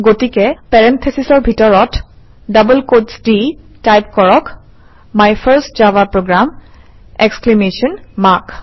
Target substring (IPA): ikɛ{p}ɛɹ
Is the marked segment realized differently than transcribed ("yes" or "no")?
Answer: no